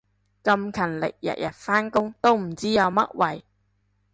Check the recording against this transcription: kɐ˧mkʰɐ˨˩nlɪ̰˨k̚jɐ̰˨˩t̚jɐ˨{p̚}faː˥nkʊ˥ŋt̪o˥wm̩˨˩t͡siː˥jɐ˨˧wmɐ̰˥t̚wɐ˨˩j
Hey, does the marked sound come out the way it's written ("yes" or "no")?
no